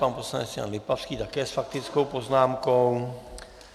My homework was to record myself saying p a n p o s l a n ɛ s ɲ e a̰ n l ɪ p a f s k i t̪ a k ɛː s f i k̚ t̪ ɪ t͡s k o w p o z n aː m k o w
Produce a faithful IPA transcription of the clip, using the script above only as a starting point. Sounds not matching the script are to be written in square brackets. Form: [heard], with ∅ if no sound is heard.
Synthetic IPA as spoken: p a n p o s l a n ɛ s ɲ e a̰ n l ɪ p a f s k i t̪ a k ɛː s f [a] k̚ t̪ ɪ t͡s k o w p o z n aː m k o w